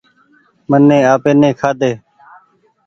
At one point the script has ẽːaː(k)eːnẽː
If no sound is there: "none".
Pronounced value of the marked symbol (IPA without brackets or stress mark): p